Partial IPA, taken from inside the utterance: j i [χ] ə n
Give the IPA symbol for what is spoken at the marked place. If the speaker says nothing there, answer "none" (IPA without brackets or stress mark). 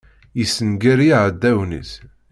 s